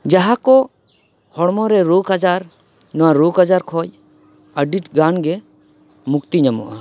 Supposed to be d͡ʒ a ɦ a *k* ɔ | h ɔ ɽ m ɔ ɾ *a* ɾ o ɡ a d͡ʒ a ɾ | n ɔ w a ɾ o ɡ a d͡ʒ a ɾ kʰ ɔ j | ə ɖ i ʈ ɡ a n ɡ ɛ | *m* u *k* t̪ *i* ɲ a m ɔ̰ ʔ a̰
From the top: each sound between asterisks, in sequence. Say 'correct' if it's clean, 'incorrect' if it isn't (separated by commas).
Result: correct, incorrect, correct, correct, correct